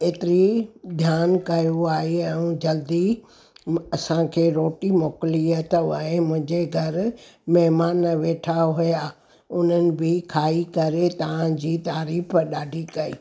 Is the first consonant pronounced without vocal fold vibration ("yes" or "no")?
yes